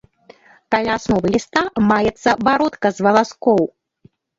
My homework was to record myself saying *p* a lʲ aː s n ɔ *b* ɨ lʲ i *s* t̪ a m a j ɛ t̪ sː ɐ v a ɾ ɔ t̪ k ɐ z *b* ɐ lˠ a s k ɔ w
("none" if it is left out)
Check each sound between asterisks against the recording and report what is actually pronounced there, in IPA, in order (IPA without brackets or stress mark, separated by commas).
k, v, s, v